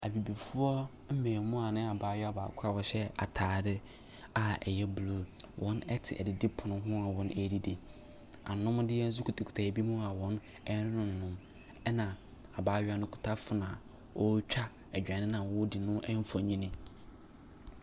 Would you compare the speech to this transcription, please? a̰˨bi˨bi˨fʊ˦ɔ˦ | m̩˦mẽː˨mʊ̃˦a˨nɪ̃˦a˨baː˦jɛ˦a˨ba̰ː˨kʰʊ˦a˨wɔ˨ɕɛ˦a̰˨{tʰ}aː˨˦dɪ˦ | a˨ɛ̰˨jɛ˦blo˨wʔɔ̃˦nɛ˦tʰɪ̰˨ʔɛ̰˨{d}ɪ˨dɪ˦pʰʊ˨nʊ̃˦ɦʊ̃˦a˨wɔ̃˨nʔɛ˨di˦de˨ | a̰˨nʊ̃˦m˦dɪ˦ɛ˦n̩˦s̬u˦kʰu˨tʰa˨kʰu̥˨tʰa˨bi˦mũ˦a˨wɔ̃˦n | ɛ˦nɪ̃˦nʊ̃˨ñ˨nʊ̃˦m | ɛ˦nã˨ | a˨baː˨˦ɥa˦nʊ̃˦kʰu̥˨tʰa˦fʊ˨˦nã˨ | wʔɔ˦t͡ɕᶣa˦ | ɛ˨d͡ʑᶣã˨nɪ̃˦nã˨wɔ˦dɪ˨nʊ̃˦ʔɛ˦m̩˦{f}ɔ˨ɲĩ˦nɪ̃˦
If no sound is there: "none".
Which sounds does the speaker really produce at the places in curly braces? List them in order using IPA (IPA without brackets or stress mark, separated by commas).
tʰ, d, f